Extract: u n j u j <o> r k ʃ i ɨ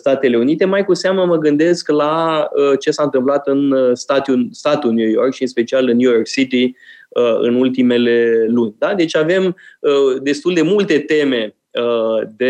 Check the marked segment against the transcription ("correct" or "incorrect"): correct